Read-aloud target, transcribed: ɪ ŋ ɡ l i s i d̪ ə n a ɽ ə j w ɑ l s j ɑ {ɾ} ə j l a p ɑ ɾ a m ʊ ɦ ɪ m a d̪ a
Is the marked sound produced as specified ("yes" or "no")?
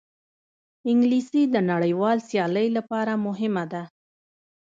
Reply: no